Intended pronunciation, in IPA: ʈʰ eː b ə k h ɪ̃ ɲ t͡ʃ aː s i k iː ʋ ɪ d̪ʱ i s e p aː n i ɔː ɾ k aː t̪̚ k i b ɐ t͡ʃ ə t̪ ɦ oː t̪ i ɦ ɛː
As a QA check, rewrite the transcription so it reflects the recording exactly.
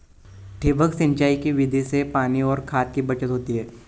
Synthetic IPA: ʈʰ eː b ə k s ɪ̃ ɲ t͡ʃ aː i k i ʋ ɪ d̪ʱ i s e p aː n i ɔː ɾ kʰ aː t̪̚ k i b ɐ t͡ʃ ə t̪ ɦ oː t̪ i ɦ ɛː